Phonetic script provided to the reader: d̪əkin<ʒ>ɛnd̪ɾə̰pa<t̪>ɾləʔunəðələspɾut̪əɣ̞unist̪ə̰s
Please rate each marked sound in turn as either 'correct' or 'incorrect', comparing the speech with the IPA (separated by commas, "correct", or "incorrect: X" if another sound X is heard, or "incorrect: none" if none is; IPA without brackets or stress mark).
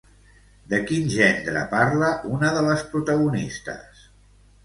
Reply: correct, incorrect: none